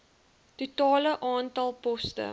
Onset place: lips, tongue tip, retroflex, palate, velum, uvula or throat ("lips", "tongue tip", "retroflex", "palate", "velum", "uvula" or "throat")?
tongue tip